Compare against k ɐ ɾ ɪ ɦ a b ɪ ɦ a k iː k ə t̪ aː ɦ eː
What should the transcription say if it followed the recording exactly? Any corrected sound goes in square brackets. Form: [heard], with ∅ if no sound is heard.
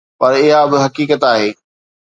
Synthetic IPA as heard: [p] ɐ ɾ ɪ ɦ a b ɪ ɦ [ɐ] k iː k ə t̪ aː ɦ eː

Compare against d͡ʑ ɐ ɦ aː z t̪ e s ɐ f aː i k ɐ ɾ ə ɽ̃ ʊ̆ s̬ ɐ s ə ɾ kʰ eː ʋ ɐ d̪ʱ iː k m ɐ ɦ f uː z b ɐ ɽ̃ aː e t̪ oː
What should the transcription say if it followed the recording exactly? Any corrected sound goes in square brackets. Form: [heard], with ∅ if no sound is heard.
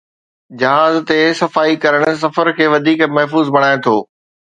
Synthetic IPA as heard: d͡ʑ ɐ ɦ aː z t̪ e s ɐ f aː i k ɐ ɾ ə ɽ̃ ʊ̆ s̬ ɐ [f] ə ɾ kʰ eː ʋ ɐ d̪ʱ iː k m ɐ ɦ f uː z b ɐ ɽ̃ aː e [t̪ʰ] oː

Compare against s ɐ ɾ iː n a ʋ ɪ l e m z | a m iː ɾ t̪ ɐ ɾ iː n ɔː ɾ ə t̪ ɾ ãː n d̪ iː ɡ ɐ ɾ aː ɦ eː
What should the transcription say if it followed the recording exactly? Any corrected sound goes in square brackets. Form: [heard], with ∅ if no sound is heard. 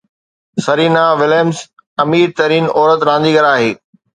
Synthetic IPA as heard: s ɐ ɾ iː n a ʋ ɪ l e m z | [ɐ] m iː ɾ t̪ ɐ ɾ iː n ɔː ɾ ə t̪ ɾ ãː n d̪ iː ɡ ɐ ɾ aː ɦ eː

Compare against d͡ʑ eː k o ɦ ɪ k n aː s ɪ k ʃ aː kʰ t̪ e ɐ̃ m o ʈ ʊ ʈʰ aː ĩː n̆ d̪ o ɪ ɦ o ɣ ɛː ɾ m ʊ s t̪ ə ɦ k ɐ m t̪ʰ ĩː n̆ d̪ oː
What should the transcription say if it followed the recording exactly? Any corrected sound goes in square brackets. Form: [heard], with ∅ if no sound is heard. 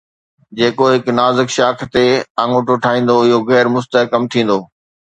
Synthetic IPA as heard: d͡ʑ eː k o ɦ ɪ k n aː [z] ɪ k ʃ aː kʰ t̪ e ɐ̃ [ŋ] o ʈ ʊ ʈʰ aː ĩː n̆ d̪ o ɪ ɦ o ɣ ɛː ɾ m ʊ s t̪ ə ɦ k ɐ m t̪ʰ ĩː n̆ d̪ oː

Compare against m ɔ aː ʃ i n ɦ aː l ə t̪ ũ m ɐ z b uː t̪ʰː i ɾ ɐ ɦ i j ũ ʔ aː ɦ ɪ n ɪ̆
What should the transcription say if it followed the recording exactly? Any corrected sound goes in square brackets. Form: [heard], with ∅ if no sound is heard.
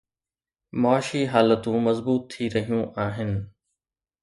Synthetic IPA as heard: m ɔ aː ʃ i [∅] ɦ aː l ə t̪ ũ m ɐ z b uː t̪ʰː i ɾ ɐ ɦ i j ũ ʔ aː ɦ ɪ n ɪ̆

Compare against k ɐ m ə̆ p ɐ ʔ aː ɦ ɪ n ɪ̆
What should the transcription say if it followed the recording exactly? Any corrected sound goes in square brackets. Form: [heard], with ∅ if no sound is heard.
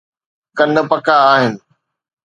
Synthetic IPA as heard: k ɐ [n] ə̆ p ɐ [k] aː ɦ ɪ n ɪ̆

